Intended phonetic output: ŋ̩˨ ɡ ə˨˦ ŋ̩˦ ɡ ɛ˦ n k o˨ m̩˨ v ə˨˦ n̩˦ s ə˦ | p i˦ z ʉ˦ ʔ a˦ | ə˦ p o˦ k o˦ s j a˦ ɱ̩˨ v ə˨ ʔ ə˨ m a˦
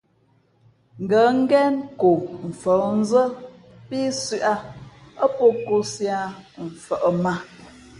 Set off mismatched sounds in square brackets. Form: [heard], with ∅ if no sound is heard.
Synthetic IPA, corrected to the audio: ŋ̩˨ ɡ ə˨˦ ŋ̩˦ ɡ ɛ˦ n k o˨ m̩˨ [f] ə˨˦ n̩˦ [z] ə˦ | p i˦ [s] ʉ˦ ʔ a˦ | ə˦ p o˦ k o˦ s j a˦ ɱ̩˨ [f] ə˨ ʔ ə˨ m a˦